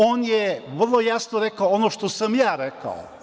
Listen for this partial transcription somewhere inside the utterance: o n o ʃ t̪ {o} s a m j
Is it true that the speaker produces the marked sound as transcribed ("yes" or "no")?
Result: yes